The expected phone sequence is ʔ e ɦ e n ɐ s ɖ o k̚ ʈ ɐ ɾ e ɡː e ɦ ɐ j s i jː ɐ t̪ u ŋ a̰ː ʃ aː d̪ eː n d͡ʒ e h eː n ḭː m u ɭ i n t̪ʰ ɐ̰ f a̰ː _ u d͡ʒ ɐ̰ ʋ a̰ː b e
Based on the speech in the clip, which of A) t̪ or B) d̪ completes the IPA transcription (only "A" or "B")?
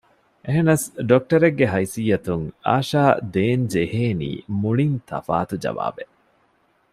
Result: A